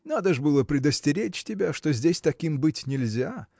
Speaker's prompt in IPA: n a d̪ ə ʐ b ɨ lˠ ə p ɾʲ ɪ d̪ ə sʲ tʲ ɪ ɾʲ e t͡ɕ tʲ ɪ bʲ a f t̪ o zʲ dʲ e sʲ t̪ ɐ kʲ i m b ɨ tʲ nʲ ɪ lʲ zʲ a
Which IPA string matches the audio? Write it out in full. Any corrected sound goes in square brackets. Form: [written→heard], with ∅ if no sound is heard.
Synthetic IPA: n a d̪ ə ʐ b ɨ lˠ ə p ɾʲ ɪ d̪ ə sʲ tʲ ɪ ɾʲ e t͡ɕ tʲ ɪ bʲ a [f→ʂ] t̪ o zʲ dʲ e sʲ t̪ ɐ kʲ i m b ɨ tʲ nʲ ɪ lʲ zʲ a